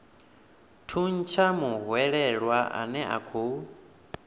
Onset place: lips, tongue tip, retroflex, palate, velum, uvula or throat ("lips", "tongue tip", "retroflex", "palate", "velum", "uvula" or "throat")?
tongue tip